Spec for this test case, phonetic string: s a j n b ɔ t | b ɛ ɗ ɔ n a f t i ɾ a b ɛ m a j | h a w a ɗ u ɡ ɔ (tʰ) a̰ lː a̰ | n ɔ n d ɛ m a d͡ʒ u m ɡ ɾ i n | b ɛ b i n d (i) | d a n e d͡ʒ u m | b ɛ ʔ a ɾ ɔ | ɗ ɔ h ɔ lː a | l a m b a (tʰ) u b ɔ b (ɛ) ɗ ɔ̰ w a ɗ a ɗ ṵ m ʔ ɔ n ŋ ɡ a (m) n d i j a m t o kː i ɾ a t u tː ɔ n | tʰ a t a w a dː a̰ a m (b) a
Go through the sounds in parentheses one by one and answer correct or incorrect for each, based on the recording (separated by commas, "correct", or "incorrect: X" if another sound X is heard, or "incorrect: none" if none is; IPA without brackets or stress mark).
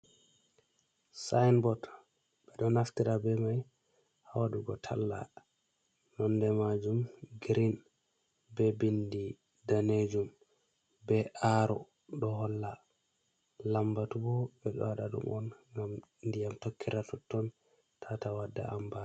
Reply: correct, correct, incorrect: t, correct, correct, correct